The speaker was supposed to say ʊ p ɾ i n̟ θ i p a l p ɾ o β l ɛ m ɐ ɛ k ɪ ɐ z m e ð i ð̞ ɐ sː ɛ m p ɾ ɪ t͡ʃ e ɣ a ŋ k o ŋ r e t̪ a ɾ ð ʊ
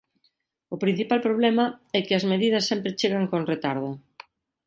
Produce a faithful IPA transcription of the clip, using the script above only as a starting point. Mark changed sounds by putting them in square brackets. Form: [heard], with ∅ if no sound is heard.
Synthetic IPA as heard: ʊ p ɾ i n̟ θ i p a l p ɾ o β l ɛ m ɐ ɛ k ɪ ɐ z m e ð i ð̞ ɐ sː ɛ m p ɾ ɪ t͡ʃ e ɣ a ŋ k o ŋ r e t̪ a ɾ ð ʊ

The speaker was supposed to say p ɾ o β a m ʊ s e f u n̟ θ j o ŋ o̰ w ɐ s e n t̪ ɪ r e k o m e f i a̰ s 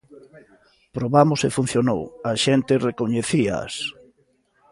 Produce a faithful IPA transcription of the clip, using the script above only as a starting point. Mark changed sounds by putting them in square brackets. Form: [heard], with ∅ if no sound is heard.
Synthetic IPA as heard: p ɾ o β a m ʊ s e f u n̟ θ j o [n] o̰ w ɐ [ʃ] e n t̪ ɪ r e k o [ɲ] e [θ] i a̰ s

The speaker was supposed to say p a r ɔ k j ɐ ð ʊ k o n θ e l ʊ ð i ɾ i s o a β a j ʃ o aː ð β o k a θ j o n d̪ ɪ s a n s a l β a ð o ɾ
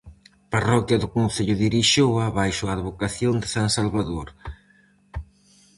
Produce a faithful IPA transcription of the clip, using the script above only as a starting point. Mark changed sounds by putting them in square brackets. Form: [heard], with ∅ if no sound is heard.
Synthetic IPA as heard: p a r ɔ k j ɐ ð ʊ k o n θ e [ʎ] ʊ ð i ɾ i [ʃ] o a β a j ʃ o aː ð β o k a θ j o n d̪ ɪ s a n s a l β a ð o ɾ

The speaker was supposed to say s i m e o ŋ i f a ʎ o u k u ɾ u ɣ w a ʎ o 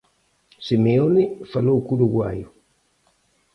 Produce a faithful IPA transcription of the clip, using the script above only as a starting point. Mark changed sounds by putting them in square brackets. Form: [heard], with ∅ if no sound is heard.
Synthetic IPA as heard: s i m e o [n] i f a [l] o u k u ɾ u ɣ w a [j] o

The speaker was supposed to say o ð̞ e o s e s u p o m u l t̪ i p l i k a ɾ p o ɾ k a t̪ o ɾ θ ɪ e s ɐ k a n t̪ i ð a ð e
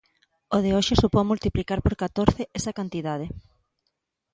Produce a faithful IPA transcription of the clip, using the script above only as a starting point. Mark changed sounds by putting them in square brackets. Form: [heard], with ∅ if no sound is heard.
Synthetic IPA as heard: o ð̞ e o [ʃ] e s u p o m u l t̪ i p l i k a ɾ p o ɾ k a t̪ o ɾ θ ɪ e s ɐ k a n t̪ i ð a ð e

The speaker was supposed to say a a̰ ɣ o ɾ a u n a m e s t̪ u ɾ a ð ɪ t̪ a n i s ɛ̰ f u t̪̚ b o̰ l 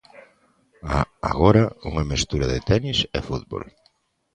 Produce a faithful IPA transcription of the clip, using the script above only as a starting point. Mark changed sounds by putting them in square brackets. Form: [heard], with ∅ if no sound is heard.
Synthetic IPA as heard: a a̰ ɣ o ɾ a u [ŋ] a m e s t̪ u ɾ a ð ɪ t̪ [ɛ] n i s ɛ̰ f u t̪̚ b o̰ l

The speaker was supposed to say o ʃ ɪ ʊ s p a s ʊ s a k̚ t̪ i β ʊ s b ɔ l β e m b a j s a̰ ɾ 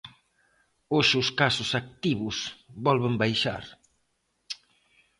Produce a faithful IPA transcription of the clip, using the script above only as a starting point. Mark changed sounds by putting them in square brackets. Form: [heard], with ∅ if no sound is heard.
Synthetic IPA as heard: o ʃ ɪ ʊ s [k] a s ʊ s a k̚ t̪ i β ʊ s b ɔ l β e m b a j [ʃ] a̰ ɾ

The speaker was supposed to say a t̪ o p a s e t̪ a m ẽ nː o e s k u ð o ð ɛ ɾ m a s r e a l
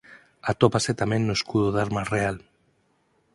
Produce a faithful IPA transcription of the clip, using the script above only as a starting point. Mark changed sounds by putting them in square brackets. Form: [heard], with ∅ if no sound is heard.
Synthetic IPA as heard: a t̪ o p a s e t̪ a m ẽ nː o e s k u ð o ð [a] ɾ m a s r e a l

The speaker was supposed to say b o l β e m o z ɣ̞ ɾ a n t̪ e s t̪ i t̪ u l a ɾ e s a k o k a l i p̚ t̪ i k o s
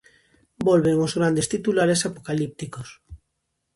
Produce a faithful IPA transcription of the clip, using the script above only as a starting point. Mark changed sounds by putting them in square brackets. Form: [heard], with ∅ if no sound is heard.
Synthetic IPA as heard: b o l β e [ŋ] o z ɣ̞ ɾ a n [d̪] e s t̪ i t̪ u l a ɾ e s a [p] o k a l i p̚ t̪ i k o s

